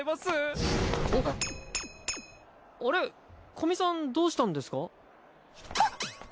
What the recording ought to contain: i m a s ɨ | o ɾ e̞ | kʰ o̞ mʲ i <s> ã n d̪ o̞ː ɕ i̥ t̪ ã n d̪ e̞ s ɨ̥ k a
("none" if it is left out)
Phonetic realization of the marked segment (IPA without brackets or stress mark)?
s